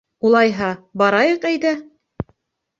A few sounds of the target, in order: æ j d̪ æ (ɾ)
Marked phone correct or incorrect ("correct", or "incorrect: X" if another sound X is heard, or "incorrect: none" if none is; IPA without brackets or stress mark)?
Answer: incorrect: none